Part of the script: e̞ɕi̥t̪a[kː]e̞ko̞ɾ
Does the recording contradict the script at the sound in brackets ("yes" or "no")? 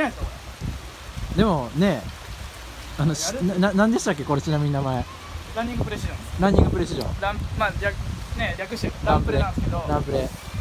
no